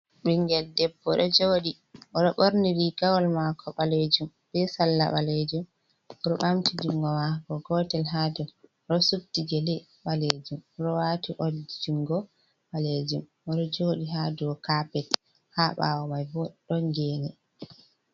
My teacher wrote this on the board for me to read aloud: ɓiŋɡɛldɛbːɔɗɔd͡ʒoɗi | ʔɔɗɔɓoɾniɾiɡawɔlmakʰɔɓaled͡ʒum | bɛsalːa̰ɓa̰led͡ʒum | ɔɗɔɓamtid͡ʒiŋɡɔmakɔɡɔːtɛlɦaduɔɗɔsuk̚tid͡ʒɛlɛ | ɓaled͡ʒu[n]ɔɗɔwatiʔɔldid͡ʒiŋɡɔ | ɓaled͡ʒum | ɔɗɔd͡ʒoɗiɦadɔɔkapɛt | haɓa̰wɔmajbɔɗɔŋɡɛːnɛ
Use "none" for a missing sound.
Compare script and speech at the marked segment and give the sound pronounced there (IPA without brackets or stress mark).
m